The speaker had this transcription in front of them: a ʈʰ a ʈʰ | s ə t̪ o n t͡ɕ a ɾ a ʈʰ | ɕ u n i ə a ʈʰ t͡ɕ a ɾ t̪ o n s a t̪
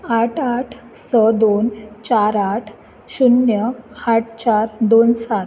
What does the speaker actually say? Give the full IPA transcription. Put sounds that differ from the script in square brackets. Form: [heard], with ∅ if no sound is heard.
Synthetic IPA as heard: a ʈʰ a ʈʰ | s ə [d̪] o n t͡ɕ a ɾ a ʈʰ | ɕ u n [j] ə a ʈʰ t͡ɕ a ɾ [d̪] o n s a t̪